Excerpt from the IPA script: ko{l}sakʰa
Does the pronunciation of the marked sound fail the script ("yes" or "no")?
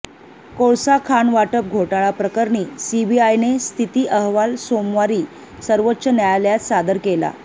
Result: yes